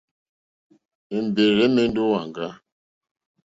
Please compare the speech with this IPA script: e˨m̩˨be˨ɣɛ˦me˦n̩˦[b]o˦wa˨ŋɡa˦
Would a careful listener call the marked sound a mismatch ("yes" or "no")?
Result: yes